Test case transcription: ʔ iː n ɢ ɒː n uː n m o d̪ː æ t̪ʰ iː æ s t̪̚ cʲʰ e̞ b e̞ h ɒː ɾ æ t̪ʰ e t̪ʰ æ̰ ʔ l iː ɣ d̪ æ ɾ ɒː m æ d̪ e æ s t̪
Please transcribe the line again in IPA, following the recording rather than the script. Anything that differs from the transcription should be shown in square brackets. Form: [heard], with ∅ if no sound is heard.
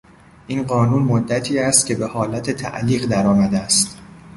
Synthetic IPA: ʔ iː n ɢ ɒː n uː n m o d̪ː æ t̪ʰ iː æ s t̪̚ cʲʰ e̞ b e̞ h ɒː [l] æ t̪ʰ e t̪ʰ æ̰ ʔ l iː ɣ d̪ æ ɾ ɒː m æ d̪ e æ s t̪